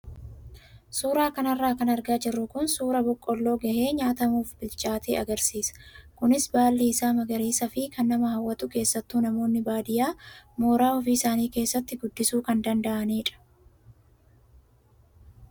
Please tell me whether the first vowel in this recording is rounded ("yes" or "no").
yes